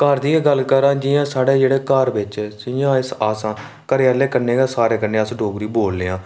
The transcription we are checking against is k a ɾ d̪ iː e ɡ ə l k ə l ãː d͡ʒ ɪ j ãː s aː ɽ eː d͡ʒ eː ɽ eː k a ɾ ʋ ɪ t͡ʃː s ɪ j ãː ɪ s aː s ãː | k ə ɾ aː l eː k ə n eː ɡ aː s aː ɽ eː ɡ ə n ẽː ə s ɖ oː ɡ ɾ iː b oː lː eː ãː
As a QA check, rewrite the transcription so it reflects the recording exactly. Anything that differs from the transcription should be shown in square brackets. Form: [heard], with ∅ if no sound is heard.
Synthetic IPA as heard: k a ɾ d̪ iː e ɡ ə l k ə [ɾ] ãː d͡ʒ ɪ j ãː s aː ɽ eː d͡ʒ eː ɽ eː k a ɾ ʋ ɪ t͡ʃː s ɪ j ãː ɪ s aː s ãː | k ə ɾ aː l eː k ə n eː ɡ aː s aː [ɾ] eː [k] ə n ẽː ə s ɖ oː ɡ ɾ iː b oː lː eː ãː